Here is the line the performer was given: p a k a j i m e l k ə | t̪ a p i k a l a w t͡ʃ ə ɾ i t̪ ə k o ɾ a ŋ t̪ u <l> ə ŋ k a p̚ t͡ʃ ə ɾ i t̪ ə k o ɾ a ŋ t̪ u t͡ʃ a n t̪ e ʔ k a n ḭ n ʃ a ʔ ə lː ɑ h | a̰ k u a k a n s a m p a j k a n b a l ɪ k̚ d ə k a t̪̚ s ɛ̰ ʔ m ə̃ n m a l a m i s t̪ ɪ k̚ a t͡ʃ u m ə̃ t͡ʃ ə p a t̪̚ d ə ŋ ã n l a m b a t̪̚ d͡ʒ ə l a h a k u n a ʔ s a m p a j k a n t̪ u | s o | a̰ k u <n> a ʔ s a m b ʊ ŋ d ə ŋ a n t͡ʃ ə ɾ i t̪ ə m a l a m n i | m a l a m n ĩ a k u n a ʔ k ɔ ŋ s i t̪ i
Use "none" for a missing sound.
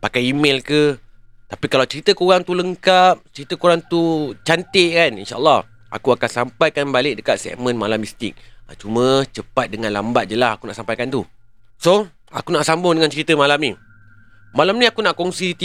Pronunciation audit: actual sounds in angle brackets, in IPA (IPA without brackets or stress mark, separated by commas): l, n